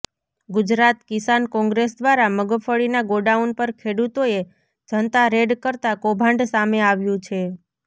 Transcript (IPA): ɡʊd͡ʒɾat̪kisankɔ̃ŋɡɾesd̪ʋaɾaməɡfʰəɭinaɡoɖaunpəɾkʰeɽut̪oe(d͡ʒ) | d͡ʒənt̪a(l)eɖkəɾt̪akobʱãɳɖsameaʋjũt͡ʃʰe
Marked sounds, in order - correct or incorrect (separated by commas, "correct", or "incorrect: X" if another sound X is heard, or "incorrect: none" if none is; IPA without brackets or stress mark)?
incorrect: none, incorrect: ɾ